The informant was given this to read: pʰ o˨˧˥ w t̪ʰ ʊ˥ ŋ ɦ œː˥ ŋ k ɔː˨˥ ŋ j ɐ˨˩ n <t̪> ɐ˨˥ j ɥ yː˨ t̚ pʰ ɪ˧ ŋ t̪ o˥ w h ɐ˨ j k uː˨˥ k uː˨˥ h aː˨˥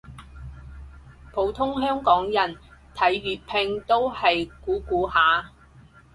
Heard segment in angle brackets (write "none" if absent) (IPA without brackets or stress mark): t̪ʰ